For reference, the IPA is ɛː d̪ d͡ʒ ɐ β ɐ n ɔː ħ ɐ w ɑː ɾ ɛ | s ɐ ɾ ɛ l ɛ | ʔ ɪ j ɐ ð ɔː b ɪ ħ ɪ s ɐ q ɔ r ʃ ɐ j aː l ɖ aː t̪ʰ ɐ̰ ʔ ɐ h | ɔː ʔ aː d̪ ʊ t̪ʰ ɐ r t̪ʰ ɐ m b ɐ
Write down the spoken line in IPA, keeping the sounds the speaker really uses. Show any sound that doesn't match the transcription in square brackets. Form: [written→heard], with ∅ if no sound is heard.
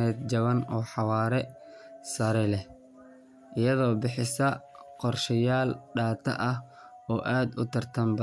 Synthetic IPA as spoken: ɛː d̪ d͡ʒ ɐ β ɐ n ɔː ħ [ɐ→ɑ] w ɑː ɾ ɛ | s ɐ ɾ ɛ l ɛ | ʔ ɪ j ɐ ð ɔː b ɪ ħ ɪ s ɐ q ɔ r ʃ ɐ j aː l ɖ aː t̪ʰ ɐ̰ ʔ ɐ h | ɔː ʔ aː d̪ ʊ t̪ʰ ɐ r t̪ʰ ɐ m b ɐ